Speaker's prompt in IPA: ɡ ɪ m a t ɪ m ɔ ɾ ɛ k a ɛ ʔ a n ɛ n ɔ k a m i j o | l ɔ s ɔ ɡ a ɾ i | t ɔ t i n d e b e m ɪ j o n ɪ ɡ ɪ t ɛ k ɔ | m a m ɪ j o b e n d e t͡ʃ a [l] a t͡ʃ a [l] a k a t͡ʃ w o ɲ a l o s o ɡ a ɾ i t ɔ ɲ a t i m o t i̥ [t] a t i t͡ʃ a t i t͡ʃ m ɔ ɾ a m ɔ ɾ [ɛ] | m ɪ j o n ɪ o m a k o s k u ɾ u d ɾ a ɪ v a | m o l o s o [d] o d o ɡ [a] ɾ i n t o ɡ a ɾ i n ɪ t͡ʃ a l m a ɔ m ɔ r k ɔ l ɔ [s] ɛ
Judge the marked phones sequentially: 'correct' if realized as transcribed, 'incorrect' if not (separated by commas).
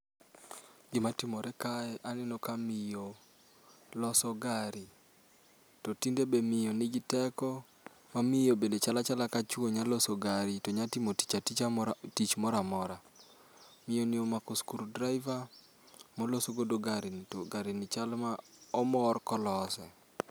correct, correct, incorrect, incorrect, incorrect, correct, correct